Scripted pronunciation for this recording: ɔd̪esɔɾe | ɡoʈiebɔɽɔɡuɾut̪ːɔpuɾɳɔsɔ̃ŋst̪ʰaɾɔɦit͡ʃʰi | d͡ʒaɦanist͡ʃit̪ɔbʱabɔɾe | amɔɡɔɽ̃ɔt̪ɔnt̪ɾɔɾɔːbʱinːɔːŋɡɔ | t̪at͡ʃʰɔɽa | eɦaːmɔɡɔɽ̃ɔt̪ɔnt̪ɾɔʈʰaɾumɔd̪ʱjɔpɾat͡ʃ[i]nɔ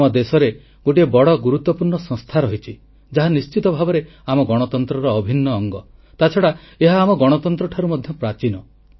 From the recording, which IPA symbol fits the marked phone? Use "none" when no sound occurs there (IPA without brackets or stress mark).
i